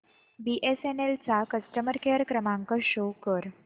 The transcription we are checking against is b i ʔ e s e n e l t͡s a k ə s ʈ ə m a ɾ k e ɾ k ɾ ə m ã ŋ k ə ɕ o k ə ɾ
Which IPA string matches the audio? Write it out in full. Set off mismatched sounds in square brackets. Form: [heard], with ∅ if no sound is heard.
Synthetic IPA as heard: b i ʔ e s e n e l t͡s a k ə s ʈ ə m [ə] ɾ k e ɾ k ɾ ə m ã ŋ k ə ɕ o k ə ɾ